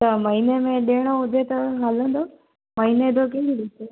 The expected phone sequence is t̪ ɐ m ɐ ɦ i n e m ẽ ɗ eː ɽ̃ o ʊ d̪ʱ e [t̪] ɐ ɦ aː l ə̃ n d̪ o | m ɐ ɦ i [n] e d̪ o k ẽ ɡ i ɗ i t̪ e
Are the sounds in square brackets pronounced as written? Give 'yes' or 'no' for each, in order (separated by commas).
yes, yes